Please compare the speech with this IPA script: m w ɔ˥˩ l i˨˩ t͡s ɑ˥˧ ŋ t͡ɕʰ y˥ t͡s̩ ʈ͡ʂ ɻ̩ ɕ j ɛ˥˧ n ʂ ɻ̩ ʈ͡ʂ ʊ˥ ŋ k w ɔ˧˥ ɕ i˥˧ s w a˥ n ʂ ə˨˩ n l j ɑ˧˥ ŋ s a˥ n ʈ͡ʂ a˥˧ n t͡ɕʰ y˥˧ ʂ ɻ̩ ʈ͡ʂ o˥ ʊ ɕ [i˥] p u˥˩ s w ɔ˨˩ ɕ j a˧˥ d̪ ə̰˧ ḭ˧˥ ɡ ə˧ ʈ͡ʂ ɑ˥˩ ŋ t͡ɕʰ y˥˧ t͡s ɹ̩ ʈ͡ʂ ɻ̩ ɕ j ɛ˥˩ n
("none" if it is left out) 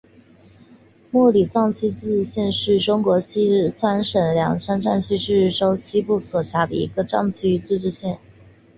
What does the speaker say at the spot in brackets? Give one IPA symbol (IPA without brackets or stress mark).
i˥